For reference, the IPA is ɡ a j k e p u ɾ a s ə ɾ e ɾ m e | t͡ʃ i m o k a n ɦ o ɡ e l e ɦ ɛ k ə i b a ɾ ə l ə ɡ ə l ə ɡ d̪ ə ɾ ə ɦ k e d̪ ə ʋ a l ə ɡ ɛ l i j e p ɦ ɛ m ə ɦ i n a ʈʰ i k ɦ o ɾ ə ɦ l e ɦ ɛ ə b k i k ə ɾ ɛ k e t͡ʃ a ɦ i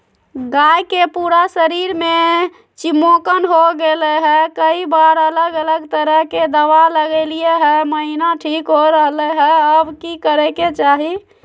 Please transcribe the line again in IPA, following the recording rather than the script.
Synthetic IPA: ɡ a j k e p u ɾ a s ə ɾ i ɾ m e | t͡ʃ i m o k ə n ɦ o ɡ e l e ɦ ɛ k ə i b a ɾ ə l ə ɡ ə l ə ɡ t̪ ə ɾ ə ɦ k e d̪ ə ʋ a l ə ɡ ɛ l i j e ɦ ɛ m ə ɦ i n a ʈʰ i k ɦ o ɾ ə ɦ l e ɦ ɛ ə b k i k ə ɾ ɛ k e t͡ʃ a ɦ i